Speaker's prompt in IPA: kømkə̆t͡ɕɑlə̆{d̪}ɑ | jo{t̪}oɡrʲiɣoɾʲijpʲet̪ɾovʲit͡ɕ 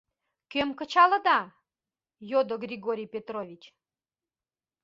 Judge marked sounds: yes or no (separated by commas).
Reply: yes, no